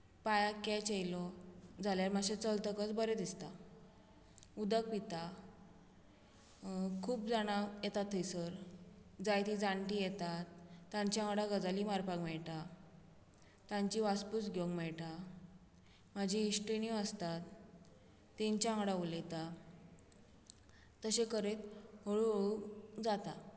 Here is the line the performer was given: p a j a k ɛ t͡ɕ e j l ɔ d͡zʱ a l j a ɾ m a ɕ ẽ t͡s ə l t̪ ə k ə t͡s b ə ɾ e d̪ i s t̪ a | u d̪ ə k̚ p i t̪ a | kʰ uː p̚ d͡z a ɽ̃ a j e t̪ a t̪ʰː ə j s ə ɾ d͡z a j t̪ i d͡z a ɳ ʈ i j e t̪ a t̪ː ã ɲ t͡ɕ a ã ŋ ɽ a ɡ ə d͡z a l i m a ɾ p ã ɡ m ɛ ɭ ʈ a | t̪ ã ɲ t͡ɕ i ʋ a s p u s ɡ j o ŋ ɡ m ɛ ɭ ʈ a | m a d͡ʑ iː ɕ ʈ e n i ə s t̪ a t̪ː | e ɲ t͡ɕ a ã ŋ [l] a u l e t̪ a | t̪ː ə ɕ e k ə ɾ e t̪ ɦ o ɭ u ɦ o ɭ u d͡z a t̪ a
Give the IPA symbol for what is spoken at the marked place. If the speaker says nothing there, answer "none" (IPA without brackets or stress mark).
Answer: ɽ